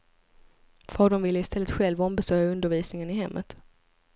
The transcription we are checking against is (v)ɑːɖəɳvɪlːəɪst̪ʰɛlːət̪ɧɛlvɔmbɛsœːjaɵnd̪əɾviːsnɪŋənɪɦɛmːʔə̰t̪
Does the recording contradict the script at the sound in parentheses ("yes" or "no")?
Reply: yes